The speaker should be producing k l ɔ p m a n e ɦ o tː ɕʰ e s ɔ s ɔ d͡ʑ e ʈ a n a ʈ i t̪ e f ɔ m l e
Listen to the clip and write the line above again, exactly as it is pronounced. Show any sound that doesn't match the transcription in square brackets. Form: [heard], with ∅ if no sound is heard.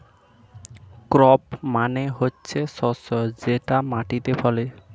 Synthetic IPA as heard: k [ɾ] ɔ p m a n e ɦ o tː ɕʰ e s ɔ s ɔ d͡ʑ e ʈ a [m] a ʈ i t̪ e f ɔ [∅] l e

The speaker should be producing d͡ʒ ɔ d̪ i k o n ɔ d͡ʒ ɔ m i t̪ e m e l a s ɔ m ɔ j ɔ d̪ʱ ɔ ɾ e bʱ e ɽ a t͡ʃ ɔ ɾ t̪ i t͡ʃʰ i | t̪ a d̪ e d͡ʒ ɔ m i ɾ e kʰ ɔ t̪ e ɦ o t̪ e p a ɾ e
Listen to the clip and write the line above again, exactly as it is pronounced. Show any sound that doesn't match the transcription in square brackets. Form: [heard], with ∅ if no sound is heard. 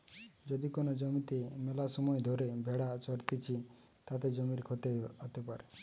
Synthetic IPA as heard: d͡ʒ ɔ d̪ i k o n ɔ d͡ʒ ɔ m i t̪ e m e l a s ɔ m ɔ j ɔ d̪ʱ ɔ ɾ e bʱ e ɽ a t͡ʃ ɔ ɾ t̪ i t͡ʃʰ i | t̪ a [t̪] e d͡ʒ ɔ m i ɾ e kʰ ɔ t̪ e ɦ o t̪ e p a ɾ e

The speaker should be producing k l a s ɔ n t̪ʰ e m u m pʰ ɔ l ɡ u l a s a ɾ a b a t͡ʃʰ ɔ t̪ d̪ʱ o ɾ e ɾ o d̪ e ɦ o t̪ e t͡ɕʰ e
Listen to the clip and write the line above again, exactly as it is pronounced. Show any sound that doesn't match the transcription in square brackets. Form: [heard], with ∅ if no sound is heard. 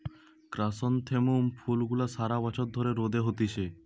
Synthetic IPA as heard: k [ɾ] a s ɔ n t̪ʰ e m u m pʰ [u] l ɡ u l a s a ɾ a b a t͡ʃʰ ɔ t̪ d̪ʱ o ɾ e ɾ o d̪ e ɦ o t̪ [i] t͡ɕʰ e

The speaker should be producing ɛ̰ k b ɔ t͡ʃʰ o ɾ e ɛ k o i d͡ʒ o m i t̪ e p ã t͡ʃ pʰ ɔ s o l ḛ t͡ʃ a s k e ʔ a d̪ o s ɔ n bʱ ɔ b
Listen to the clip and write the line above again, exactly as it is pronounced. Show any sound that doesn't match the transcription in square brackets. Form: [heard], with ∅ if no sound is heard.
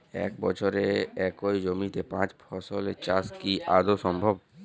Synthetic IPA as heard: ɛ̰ k b ɔ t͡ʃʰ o ɾ e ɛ k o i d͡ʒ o m i t̪ e p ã t͡ʃ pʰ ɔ s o l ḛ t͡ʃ a s k [i] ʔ a d̪ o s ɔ [m] bʱ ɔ b

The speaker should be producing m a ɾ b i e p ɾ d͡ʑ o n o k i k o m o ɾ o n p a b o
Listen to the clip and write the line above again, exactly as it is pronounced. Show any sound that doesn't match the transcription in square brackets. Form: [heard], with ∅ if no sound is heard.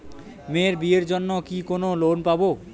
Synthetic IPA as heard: m [e] ɾ b i e [∅] ɾ d͡ʑ o [nː] o k i k o [n] o [l] o n p a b o

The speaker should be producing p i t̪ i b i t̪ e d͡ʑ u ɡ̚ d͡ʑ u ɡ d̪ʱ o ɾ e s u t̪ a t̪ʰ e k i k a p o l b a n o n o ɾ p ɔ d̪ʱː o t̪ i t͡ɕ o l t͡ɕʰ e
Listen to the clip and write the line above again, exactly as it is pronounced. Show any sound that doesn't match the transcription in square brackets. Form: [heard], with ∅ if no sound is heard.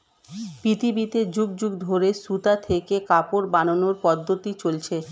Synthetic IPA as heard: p i t̪ i b i t̪ e d͡ʑ u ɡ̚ d͡ʑ u ɡ d̪ʱ o ɾ e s u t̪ a t̪ʰ e k [e] k a p o [ɾ] b a n o n o ɾ p ɔ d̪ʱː o t̪ i t͡ɕ o l t͡ɕʰ e

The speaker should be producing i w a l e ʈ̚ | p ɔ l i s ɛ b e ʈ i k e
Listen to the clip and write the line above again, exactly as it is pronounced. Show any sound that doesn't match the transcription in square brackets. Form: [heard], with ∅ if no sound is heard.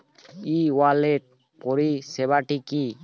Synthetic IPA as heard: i w a l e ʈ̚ | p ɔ [ɾ] i s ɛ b [a] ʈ i k [i]

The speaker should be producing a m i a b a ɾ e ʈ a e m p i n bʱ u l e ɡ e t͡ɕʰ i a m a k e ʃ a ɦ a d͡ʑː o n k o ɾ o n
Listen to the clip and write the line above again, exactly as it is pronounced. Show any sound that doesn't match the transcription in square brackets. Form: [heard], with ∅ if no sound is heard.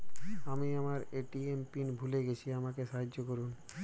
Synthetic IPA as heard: a m i a [m] a ɾ e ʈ [i] e m p i n bʱ u l e ɡ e t͡ɕʰ i a m a k e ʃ a ɦ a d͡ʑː o [∅] k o ɾ [u] n

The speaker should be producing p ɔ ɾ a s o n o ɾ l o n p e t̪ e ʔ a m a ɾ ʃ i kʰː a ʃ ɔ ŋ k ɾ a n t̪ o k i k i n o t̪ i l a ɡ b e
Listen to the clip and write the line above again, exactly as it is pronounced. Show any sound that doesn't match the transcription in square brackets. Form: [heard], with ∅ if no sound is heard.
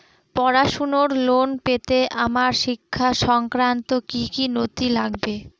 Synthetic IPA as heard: p ɔ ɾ a [ʃ] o n o ɾ l o n p e t̪ e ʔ a m a ɾ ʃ i kʰː a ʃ ɔ ŋ k ɾ a n t̪ o k i k i n o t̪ i l a ɡ b e

